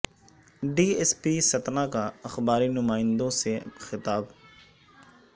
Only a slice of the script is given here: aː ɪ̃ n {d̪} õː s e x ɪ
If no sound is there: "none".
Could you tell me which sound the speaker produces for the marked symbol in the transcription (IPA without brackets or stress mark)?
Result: d̪